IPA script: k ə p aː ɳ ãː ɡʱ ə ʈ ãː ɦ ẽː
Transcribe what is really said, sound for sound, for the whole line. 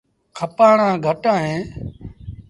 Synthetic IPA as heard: kʰ ə p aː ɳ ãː ɡʱ ə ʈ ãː ɦ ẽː